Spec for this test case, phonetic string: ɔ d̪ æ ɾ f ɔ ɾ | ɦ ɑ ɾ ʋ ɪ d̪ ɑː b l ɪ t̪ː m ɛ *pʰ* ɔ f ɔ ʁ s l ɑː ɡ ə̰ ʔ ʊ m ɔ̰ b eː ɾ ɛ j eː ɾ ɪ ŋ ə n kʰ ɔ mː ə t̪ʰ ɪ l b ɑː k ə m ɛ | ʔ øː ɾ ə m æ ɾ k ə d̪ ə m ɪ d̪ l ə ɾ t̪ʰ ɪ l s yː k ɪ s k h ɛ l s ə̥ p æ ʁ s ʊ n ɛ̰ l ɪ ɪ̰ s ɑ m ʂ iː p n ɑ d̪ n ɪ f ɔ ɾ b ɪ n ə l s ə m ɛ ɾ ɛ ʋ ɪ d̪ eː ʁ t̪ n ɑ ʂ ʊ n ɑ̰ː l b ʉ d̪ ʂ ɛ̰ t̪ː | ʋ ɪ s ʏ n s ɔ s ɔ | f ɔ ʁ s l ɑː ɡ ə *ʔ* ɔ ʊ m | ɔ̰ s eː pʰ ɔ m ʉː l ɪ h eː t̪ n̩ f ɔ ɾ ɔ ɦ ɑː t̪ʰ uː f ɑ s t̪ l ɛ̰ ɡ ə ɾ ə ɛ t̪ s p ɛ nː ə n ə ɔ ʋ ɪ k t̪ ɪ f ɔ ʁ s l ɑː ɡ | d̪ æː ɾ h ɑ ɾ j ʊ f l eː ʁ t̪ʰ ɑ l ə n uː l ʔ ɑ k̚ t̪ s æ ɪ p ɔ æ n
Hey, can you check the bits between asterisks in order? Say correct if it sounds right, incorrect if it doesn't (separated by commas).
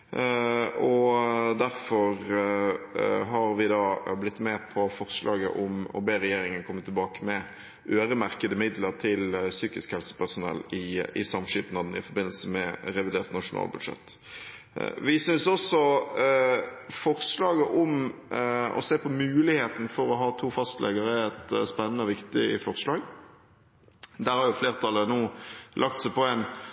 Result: correct, correct